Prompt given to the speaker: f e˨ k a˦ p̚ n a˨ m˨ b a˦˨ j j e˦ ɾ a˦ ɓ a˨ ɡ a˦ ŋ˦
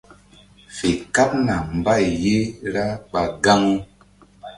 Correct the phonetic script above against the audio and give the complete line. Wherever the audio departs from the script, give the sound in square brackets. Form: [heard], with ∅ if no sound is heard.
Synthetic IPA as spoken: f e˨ k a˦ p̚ n a˨ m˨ b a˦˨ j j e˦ ɾ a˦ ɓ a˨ ɡ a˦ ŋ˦